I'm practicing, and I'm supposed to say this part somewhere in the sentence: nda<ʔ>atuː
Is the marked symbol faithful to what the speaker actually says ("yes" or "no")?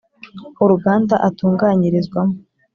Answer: yes